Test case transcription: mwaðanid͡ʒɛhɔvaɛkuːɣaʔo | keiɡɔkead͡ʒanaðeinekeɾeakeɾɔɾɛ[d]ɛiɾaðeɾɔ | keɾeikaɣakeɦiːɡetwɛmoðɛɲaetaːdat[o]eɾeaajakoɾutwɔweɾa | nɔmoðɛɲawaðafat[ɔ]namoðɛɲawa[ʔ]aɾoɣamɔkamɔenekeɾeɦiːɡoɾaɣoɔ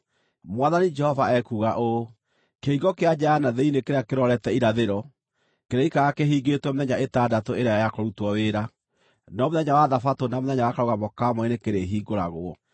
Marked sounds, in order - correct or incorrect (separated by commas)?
incorrect, correct, incorrect, incorrect